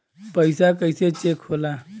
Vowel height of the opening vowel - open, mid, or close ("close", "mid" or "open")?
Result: mid